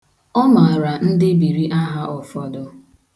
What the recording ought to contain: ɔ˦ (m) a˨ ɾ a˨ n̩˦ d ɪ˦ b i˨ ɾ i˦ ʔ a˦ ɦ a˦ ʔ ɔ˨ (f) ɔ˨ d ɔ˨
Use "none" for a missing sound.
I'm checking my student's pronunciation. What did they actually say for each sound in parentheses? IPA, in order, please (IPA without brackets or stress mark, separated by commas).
m, f